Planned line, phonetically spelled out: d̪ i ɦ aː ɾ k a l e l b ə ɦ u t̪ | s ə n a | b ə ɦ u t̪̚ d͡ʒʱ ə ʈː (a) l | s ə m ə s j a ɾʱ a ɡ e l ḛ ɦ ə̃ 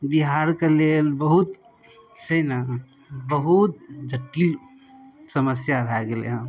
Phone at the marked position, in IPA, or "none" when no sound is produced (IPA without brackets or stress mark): i